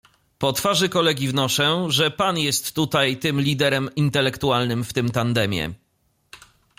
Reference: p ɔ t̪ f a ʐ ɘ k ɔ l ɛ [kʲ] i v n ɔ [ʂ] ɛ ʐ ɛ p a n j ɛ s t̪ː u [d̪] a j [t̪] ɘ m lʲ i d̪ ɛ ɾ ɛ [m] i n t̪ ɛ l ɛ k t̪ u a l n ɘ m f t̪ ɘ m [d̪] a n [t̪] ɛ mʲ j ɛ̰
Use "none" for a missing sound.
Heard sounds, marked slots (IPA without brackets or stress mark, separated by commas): ɡʲ, ʂ, t̪, t̪, m, t̪, d̪